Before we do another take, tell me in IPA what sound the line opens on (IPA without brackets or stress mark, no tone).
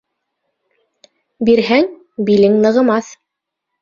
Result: b